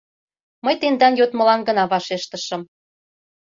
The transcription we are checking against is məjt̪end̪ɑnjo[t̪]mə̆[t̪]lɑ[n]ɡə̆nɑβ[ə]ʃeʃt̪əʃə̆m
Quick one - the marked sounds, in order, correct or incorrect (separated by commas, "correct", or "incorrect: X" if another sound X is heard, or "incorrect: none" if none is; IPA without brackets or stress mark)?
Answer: correct, incorrect: none, correct, incorrect: ɑ